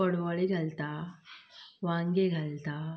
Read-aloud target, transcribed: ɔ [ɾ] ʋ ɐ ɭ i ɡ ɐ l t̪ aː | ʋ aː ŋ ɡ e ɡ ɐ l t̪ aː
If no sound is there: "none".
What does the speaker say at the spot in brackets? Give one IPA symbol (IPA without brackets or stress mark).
ɽ